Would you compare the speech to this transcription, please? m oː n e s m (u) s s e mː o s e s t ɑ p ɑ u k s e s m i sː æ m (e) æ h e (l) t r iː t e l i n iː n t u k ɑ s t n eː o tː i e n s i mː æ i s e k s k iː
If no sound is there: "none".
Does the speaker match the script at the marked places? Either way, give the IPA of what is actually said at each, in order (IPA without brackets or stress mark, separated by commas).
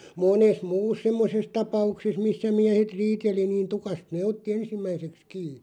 uː, i, none